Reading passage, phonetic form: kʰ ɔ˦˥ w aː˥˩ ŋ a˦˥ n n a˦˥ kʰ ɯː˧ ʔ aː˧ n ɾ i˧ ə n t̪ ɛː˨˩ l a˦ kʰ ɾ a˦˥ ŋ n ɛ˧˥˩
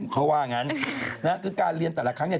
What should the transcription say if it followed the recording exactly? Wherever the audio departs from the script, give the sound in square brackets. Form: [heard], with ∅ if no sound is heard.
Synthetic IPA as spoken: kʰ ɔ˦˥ w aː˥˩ ŋ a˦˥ n n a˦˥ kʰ ɯː˧ [k] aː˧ n ɾ i˧ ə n t̪ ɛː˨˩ l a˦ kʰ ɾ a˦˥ ŋ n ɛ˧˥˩